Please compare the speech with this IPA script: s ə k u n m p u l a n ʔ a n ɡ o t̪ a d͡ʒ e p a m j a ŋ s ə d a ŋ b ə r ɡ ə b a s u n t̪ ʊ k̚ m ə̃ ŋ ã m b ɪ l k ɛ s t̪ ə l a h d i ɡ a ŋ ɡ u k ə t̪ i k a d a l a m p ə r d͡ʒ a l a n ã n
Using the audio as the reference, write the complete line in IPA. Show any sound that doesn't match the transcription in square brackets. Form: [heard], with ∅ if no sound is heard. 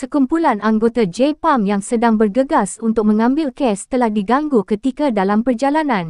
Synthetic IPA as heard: s ə k u [∅] m p u l a n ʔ a [ŋ] ɡ o t̪ a d͡ʒ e p a m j a ŋ s ə d a ŋ b ə r ɡ ə [ɡ] a s u n t̪ ʊ k̚ m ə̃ ŋ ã m b ɪ l k ɛ s t̪ ə l a h d i ɡ a ŋ ɡ u k ə t̪ i k a d a l a m p ə r d͡ʒ a l a n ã n

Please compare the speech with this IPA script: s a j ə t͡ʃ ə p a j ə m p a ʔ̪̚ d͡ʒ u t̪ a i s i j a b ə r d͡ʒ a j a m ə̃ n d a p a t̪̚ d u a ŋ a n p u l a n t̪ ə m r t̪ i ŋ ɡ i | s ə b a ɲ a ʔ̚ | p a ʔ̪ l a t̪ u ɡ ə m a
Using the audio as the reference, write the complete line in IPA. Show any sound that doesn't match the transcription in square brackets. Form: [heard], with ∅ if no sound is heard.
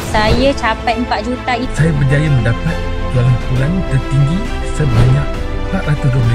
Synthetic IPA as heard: s a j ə t͡ʃ [a] p a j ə m p a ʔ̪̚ d͡ʒ u t̪ a i s [a] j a b ə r d͡ʒ a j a m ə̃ n d a p a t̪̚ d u a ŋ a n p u l a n t̪ ə [∅] r t̪ i ŋ ɡ i | s ə b a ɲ a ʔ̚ | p a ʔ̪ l a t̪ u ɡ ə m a

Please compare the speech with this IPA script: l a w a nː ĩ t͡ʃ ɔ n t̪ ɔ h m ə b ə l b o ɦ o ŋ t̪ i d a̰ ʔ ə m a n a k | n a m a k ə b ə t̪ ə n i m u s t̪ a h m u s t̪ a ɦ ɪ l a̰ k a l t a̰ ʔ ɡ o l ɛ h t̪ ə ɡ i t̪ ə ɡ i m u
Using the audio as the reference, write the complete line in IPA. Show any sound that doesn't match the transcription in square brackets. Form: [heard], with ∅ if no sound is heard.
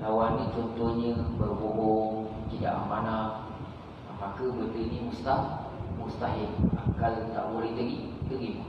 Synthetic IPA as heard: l a w a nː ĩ t͡ʃ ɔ n t̪ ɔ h [ɲ] ə b ə [r] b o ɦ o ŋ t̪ i d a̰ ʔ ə m a n a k | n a m a k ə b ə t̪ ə n i m u s t̪ a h m u s t̪ a ɦ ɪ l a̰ k a l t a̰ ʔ [b] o l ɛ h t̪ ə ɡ i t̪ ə ɡ i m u

